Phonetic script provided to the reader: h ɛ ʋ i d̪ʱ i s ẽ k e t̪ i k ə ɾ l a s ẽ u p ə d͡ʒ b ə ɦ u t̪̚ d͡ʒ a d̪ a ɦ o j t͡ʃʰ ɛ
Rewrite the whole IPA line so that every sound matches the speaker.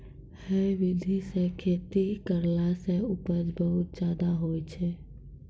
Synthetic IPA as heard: h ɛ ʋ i d̪ʱ i s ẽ kʰ e t̪ i k ə ɾ l a s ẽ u p ə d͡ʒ b ə ɦ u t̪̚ d͡ʒ a d̪ a ɦ o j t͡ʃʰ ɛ